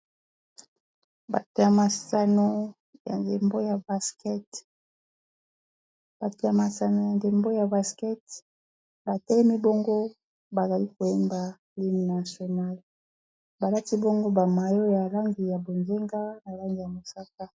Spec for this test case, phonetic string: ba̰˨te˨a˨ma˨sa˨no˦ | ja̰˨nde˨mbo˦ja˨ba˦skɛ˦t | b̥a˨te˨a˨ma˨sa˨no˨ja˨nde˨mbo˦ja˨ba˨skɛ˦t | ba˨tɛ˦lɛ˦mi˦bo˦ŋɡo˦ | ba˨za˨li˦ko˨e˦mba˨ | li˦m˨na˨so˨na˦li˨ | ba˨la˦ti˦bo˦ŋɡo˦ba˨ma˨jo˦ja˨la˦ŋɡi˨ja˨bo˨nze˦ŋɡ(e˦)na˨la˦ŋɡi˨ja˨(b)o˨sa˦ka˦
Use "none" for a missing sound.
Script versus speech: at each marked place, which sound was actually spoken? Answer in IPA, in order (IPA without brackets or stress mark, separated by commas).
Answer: a˦, m